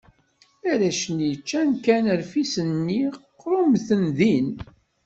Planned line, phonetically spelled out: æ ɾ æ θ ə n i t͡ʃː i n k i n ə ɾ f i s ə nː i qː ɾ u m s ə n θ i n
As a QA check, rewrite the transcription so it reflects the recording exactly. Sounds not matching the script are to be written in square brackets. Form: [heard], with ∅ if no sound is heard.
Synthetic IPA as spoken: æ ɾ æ [ʃ] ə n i t͡ʃː [æ] n k [æ] n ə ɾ f i s ə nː i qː ɾ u m [θ] ə n [ð] i n